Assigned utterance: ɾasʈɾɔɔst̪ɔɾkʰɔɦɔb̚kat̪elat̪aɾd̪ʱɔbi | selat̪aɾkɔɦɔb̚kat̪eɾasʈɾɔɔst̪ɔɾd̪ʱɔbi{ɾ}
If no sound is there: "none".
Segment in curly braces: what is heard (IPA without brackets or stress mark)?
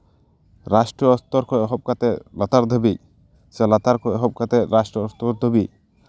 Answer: none